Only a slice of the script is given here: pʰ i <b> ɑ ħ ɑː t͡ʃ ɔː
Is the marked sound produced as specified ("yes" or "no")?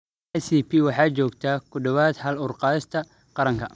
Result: no